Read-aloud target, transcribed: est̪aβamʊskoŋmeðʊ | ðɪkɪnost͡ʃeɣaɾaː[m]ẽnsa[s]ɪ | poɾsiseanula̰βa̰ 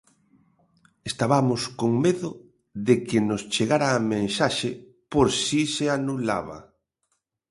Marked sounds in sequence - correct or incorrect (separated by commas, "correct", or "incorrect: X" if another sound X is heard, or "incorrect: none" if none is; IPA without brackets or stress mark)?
correct, incorrect: ʃ